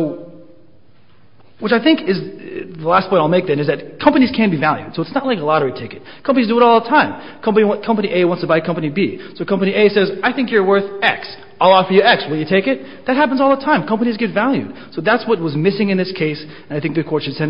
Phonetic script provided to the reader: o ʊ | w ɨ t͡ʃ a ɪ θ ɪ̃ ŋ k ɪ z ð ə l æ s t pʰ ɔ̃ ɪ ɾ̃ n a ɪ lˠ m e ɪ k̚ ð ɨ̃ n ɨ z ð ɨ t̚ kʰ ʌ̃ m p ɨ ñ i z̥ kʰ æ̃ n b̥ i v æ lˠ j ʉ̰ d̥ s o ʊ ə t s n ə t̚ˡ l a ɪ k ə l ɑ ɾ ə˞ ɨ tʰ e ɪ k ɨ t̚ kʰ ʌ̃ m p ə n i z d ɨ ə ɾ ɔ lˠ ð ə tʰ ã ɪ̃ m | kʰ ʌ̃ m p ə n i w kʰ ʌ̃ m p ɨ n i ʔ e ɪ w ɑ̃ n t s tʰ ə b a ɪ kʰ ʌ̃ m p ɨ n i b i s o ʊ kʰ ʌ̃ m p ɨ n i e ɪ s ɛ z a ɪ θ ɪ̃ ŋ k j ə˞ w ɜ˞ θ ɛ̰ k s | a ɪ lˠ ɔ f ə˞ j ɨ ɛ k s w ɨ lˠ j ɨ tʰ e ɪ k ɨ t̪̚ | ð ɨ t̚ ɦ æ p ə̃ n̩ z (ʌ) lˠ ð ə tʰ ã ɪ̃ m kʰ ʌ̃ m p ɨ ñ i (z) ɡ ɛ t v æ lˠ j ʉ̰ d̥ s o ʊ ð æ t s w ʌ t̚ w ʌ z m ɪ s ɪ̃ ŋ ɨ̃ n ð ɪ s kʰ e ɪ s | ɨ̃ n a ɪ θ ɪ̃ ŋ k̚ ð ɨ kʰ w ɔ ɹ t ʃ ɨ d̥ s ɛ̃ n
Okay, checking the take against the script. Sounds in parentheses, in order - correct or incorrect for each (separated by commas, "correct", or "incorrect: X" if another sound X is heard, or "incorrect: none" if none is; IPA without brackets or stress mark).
incorrect: ɔ, correct